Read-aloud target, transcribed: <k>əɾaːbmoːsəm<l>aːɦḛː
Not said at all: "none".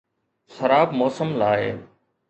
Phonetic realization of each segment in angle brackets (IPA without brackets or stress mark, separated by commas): x, l